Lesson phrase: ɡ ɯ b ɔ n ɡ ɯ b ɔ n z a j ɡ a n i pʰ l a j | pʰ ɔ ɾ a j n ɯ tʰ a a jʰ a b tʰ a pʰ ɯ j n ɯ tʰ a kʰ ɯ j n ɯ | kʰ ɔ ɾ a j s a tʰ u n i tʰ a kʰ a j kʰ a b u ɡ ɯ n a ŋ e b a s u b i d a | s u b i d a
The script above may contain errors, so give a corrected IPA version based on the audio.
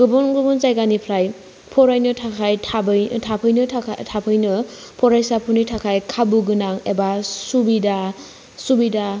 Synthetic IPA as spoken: ɡ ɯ b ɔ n ɡ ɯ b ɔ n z a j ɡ a n i pʰ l a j | pʰ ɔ ɾ a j n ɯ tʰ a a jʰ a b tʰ a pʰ ɯ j n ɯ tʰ a pʰ ɯ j n ɯ | pʰ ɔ ɾ a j s a pʰ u n i tʰ a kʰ a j kʰ a b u ɡ ɯ n a ŋ e b a s u b i d a | s u b i d a